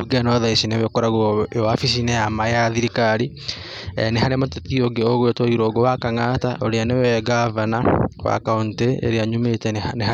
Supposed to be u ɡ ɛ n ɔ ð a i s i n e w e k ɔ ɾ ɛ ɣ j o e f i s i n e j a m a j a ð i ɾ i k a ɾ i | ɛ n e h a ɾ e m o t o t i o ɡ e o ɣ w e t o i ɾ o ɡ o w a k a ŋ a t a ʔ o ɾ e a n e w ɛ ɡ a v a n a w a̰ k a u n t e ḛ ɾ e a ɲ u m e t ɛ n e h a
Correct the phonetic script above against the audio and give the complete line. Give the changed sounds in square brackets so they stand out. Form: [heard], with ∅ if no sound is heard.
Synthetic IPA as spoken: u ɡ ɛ n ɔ ð a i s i n e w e k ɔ ɾ [a] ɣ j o [a] f i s i n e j a m a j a ð i ɾ i k a ɾ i | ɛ n e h a ɾ e m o t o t i o ɡ e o ɣ w e t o i ɾ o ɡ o w a k a ŋ a t a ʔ o ɾ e a n e w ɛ ɡ a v a n a w a̰ k a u n t e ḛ ɾ e a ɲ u m e t ɛ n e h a